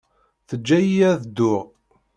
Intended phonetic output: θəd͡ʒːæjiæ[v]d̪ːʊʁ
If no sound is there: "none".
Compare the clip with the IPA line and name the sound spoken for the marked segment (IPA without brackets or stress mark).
ð